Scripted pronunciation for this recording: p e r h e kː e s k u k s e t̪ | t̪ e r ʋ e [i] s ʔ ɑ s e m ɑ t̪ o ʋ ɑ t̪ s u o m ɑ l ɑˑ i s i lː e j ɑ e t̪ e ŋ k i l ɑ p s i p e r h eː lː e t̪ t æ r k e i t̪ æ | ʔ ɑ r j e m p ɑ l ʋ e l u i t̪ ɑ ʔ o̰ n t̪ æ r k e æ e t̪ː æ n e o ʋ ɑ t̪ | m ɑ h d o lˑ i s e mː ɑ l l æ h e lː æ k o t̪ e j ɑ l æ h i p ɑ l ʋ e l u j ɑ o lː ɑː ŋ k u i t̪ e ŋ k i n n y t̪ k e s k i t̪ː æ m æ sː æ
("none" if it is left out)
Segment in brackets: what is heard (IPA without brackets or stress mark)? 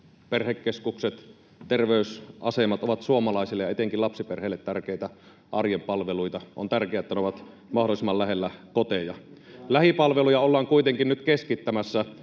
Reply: y